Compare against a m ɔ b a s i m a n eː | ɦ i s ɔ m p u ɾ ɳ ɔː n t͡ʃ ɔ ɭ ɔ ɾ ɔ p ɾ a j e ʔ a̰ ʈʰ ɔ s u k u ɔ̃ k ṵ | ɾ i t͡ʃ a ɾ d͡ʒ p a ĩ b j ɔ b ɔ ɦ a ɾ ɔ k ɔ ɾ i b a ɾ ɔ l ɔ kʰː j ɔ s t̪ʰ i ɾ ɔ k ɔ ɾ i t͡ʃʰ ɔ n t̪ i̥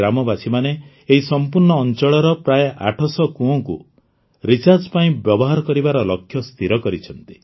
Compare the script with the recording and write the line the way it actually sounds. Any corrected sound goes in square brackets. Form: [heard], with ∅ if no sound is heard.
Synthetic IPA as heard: a m ɔ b a s i m a n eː | ɦ i s ɔ m p u ɾ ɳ ɔː n t͡ʃ ɔ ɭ ɔ ɾ ɔ p ɾ a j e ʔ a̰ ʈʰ ɔ s [ɔ] k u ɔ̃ k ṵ | ɾ i t͡ʃ a ɾ d͡ʒ p a ĩ b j ɔ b ɔ ɦ a ɾ ɔ k ɔ ɾ i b a ɾ ɔ l ɔ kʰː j ɔ s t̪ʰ i ɾ ɔ k ɔ ɾ i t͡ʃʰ ɔ n t̪ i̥